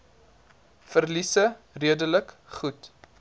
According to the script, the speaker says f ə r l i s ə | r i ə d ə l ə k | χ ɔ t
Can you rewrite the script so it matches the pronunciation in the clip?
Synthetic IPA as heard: f ə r l i s ə | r i ə d ə l ə k | χ u t